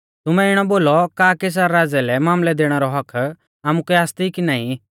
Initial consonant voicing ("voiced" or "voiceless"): voiceless